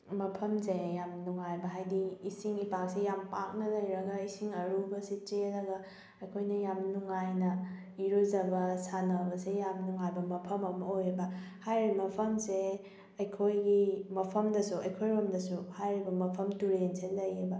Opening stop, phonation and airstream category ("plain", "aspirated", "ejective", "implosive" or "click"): aspirated